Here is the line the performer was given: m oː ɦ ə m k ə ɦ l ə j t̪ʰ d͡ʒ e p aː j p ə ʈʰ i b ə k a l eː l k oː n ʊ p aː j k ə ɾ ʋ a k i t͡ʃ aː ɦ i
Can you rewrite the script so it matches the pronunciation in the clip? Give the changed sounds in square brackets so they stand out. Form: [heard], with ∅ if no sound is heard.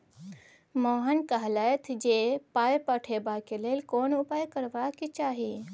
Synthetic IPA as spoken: m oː ɦ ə [n] k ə ɦ l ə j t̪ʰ d͡ʒ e p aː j p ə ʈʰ [e] b [a] k [e] l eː l k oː n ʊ p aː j k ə ɾ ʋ a k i t͡ʃ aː ɦ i